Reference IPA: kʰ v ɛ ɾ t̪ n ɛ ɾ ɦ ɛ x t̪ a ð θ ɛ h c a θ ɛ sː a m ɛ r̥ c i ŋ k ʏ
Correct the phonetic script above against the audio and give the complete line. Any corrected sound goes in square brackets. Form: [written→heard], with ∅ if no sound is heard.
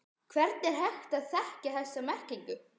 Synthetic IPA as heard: kʰ v ɛ ɾ t̪ n ɛ ɾ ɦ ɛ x t̪ a ð θ ɛ h c a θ ɛ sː a m ɛ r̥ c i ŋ k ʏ